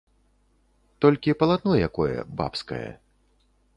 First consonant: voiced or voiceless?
voiceless